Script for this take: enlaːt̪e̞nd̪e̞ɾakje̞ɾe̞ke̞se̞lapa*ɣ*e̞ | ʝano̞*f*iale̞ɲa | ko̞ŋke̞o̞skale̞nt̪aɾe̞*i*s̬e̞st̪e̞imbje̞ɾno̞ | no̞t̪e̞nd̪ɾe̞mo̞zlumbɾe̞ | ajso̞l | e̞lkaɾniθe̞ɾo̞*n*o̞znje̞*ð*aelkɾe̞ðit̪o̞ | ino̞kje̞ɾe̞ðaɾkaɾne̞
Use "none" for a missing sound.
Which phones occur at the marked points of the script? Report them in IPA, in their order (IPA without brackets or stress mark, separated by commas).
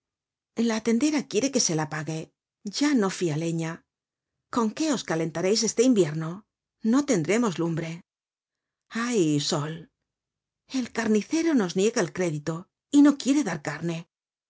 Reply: ɣ, f, j, n, ɣ